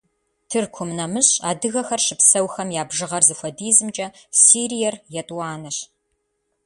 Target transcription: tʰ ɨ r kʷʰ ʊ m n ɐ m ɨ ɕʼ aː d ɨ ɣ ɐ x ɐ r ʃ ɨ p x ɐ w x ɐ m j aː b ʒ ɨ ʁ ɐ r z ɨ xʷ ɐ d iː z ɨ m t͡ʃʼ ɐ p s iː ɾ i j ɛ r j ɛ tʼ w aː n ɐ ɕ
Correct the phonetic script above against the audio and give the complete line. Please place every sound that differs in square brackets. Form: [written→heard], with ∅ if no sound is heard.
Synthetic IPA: tʰ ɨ r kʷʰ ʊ m n ɐ m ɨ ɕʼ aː d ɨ ɣ ɐ x ɐ r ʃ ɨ p [x→s] ɐ w x ɐ m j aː b ʒ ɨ ʁ ɐ r z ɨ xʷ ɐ d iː z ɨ m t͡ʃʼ ɐ [p→∅] s iː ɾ i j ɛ r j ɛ tʼ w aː n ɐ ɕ